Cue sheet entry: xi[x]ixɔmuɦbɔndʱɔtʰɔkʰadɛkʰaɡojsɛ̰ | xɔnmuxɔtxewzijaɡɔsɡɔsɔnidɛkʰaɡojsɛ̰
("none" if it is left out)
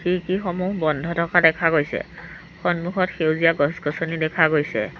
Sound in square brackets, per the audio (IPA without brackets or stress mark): k